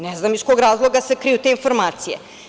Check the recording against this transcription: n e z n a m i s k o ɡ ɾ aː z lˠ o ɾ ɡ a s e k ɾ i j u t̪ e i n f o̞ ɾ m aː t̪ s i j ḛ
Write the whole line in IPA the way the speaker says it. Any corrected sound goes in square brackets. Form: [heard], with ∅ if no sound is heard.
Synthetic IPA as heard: n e z n a m i s k o ɡ ɾ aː z lˠ o [∅] ɡ a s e k ɾ i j u t̪ e i n f o̞ ɾ m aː t̪ s i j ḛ